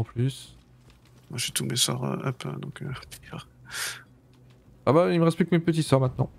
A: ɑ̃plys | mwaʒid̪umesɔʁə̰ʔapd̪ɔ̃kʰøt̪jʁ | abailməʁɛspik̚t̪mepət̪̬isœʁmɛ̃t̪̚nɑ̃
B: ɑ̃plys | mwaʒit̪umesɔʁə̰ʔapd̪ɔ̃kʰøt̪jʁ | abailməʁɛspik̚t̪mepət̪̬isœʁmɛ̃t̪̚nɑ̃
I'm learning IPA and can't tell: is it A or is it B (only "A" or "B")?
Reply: B